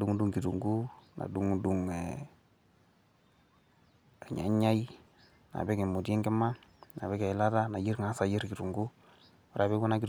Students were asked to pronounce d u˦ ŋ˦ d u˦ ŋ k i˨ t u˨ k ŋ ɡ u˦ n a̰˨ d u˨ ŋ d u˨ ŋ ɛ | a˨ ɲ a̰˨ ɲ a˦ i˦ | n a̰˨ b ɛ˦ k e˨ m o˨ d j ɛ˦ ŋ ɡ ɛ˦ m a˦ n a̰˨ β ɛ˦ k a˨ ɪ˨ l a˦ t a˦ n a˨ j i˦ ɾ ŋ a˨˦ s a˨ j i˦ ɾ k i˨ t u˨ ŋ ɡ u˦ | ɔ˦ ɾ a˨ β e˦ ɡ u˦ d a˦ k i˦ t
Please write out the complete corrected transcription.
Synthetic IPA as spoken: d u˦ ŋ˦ d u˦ ŋ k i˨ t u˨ ŋ ɡ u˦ n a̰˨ d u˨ ŋ d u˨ ŋ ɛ | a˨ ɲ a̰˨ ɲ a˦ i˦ | n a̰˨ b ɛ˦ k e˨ m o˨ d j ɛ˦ ŋ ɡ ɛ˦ m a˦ n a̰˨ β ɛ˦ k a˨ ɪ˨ l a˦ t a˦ n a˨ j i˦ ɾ ŋ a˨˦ s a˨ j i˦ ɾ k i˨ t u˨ ŋ ɡ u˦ | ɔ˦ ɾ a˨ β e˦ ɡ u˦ n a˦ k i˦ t